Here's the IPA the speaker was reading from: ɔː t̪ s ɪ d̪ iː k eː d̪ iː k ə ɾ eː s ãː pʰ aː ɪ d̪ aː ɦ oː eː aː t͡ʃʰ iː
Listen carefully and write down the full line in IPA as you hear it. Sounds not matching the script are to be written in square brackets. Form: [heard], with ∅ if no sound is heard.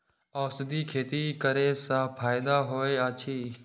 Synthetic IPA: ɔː [∅] s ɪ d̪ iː [kʰ] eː [t̪] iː k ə ɾ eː s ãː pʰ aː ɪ d̪ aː ɦ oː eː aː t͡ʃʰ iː